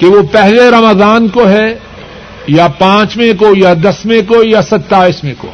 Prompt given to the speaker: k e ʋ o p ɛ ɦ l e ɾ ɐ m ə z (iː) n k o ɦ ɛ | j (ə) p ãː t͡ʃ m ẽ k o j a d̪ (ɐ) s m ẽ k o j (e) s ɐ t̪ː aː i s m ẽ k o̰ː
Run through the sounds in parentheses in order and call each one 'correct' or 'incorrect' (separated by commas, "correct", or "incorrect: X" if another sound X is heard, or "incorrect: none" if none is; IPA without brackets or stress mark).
incorrect: aː, incorrect: a, correct, incorrect: a